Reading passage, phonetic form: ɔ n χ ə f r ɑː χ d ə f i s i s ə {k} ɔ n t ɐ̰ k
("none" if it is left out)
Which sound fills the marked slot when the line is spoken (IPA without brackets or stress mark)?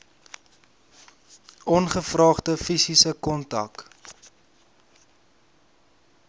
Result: k